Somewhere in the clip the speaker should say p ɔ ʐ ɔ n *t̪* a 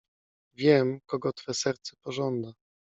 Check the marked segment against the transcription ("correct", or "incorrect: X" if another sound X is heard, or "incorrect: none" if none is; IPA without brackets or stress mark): incorrect: d̪